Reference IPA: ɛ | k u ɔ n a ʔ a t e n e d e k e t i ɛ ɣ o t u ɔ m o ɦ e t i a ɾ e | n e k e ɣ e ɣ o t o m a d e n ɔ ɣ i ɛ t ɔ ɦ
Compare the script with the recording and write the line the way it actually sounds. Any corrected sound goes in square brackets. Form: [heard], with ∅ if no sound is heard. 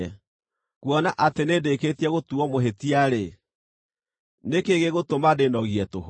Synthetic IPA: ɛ | k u ɔ n a ʔ a t e n e d e k e t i ɛ ɣ o t u ɔ m o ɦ e t i a ɾ e | n e k e ɣ e ɣ o t o m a d e n ɔ ɣ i ɛ t [o] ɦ